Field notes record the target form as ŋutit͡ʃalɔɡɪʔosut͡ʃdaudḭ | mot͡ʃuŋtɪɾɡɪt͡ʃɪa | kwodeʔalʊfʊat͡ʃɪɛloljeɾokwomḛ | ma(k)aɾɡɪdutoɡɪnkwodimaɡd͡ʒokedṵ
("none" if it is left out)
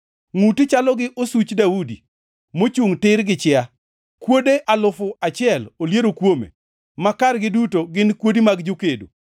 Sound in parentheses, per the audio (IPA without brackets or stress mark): k